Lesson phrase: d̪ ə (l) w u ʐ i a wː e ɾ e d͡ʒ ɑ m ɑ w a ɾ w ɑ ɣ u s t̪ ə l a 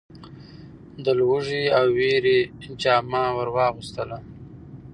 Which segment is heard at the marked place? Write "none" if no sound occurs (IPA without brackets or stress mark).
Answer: l